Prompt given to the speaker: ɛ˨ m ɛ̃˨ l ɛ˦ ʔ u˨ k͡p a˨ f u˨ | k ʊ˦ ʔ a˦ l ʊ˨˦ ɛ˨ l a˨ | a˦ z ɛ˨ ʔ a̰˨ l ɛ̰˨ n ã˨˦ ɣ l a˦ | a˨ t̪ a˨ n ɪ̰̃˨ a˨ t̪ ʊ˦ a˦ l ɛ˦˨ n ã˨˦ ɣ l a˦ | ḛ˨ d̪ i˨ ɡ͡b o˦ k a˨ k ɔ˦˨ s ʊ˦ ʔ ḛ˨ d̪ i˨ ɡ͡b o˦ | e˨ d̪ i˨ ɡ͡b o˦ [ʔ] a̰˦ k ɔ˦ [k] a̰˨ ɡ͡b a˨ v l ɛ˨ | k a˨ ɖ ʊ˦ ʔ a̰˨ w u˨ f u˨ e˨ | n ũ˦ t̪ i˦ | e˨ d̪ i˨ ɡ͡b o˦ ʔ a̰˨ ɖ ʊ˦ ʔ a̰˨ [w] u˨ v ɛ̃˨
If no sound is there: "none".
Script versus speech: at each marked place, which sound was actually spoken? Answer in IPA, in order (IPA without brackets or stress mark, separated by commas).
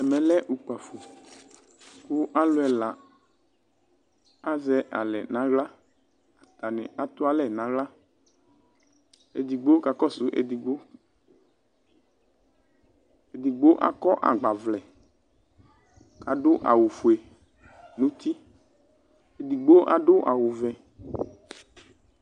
ʔ, ʔ, w